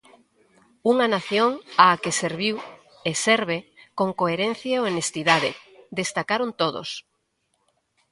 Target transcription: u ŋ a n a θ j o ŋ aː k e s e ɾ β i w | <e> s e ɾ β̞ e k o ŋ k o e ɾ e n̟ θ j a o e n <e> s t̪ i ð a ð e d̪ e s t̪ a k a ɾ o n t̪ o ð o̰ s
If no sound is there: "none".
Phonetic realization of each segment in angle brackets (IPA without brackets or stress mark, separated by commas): e, e